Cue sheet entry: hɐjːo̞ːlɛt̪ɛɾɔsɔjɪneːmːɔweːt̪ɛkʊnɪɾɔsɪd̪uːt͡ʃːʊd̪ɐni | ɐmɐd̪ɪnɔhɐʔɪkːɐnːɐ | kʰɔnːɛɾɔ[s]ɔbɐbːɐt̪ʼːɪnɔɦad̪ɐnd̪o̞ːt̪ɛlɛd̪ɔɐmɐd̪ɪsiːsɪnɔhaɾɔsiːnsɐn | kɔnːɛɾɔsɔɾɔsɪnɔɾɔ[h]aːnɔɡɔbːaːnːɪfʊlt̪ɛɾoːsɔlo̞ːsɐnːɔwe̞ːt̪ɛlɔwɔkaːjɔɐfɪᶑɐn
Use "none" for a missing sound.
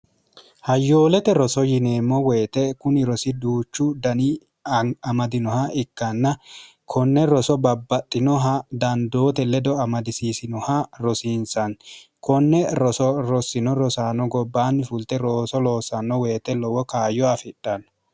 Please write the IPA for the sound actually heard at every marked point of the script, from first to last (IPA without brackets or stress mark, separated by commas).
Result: s, s